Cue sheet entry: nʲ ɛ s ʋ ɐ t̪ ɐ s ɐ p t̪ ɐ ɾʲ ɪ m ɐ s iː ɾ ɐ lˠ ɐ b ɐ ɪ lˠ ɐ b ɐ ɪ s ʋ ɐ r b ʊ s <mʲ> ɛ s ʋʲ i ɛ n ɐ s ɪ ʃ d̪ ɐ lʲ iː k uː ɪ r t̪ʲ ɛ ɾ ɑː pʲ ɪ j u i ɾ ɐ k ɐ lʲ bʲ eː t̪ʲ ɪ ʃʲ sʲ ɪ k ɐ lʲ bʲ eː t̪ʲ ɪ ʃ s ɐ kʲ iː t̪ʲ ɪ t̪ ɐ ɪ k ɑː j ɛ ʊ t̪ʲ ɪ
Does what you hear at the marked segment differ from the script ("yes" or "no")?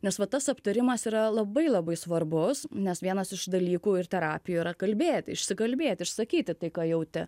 yes